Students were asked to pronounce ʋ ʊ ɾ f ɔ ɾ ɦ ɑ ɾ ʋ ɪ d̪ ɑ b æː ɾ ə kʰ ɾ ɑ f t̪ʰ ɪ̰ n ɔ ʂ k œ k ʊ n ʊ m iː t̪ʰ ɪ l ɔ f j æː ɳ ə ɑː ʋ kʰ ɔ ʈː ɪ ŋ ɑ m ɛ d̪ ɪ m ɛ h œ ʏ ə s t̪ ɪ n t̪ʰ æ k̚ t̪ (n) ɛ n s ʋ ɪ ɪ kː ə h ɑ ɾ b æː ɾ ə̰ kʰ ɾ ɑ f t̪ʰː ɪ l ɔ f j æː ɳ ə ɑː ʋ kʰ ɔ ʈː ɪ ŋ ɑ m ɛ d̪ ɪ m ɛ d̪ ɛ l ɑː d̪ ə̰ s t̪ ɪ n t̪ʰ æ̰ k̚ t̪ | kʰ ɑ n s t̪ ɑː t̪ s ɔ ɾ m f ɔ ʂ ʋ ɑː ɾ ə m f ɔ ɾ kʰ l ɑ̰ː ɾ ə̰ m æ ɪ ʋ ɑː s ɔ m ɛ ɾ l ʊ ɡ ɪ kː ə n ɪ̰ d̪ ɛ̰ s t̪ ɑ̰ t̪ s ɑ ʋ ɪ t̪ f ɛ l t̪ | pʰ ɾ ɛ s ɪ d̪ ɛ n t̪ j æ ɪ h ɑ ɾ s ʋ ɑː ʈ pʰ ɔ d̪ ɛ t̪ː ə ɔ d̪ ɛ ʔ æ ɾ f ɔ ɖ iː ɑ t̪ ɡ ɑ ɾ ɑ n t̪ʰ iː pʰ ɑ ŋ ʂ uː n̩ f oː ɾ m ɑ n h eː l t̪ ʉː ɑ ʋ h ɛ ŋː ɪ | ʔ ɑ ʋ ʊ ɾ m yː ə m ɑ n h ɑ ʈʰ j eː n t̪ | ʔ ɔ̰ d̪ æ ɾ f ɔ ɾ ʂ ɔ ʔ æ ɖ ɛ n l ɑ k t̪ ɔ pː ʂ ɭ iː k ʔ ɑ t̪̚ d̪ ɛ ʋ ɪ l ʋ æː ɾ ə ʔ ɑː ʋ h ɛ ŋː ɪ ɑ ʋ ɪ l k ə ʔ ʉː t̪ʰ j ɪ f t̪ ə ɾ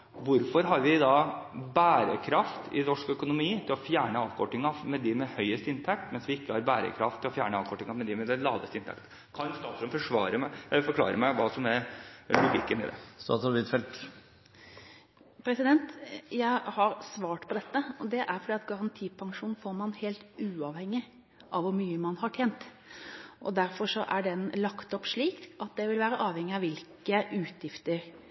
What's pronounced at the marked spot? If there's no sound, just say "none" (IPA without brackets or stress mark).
m